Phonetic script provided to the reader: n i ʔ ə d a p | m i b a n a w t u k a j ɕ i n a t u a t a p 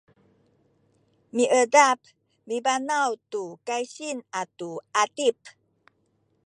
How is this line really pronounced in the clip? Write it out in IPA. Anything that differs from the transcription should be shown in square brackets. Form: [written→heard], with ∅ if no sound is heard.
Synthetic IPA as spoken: [n→m] i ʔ ə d a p | m i b a n a w t u k a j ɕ i n a t u a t [a→i] p